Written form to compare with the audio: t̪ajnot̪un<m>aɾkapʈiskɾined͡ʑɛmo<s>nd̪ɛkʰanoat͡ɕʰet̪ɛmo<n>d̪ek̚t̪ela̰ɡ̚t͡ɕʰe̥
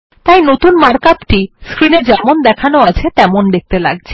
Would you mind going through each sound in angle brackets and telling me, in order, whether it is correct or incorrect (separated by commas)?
correct, incorrect, correct